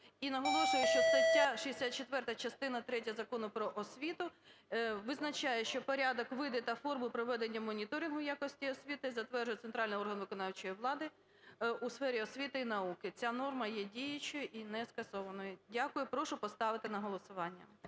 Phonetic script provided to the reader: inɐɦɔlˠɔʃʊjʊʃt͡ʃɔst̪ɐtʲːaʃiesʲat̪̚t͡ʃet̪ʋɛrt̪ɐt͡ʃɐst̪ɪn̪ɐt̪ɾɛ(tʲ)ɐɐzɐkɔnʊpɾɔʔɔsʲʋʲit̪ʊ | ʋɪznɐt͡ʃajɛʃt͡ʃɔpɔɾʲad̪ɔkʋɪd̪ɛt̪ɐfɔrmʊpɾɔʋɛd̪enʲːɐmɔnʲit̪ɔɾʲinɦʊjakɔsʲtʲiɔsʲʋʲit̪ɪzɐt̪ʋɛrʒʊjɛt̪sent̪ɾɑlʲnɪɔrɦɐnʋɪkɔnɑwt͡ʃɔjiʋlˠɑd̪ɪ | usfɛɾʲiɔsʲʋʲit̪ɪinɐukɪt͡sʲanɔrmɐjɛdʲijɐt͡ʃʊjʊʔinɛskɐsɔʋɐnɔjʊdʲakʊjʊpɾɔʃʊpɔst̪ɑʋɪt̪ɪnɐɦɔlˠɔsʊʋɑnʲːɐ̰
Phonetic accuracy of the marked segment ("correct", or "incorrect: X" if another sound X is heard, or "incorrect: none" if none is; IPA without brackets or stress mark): correct